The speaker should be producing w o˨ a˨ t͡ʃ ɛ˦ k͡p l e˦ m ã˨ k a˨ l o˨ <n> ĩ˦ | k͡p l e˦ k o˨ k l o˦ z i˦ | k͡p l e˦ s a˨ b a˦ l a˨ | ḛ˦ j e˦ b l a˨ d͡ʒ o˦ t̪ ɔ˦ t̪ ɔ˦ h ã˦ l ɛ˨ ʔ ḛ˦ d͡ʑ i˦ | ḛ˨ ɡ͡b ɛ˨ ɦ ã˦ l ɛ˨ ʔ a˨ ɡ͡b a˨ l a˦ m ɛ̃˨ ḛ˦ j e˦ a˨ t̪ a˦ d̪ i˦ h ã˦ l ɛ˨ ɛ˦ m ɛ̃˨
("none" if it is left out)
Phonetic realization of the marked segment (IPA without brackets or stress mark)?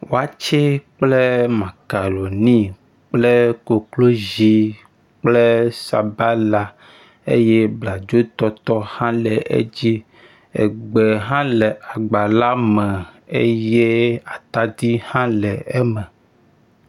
n